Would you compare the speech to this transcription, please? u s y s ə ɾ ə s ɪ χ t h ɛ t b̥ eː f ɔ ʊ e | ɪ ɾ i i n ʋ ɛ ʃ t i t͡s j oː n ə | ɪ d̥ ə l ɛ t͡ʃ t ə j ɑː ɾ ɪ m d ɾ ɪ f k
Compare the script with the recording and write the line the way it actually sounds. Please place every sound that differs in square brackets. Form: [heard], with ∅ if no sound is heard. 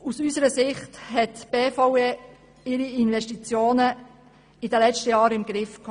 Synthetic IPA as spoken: u s y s ə ɾ ə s ɪ χ t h ɛ t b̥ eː f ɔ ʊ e | ɪ ɾ i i n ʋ ɛ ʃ t i t͡s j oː n ə | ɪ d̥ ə l ɛ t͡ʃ t ə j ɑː ɾ ɪ m [ɡ] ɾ ɪ f k